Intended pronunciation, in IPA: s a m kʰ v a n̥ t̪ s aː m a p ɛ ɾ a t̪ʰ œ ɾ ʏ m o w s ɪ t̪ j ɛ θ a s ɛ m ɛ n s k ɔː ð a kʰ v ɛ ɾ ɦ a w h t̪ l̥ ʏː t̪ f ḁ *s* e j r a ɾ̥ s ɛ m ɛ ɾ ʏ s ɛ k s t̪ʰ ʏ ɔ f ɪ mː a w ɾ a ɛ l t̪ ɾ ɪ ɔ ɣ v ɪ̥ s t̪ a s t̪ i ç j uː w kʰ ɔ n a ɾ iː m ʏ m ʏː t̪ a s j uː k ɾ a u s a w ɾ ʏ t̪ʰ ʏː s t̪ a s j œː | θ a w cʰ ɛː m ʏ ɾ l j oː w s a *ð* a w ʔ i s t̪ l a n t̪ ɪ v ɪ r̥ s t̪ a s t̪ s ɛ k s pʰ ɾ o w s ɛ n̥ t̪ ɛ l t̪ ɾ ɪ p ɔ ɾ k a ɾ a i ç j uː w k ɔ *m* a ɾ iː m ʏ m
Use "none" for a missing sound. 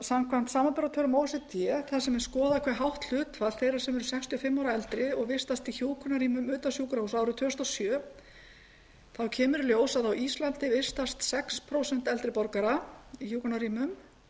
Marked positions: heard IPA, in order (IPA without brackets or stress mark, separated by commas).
θ, ð, n